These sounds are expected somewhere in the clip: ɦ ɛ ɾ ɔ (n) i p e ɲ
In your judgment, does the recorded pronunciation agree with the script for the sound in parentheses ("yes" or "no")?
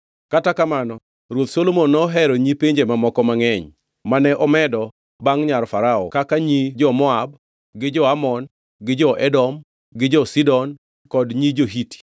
no